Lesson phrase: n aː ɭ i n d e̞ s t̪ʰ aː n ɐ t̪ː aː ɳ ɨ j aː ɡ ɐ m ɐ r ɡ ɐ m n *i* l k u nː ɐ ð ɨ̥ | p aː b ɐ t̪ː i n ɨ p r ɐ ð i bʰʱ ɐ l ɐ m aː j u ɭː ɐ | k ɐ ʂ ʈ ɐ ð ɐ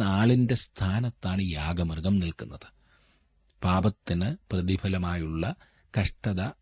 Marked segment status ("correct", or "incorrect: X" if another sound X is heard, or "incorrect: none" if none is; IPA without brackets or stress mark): correct